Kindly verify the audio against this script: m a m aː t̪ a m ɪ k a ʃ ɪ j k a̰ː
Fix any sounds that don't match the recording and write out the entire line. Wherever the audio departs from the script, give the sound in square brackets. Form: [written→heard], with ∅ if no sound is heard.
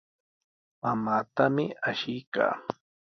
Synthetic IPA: m a m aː t̪ a m ɪ [k→∅] a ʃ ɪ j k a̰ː